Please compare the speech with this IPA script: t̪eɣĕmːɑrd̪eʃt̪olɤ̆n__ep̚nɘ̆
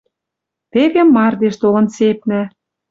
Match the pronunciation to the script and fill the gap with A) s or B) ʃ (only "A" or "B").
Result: A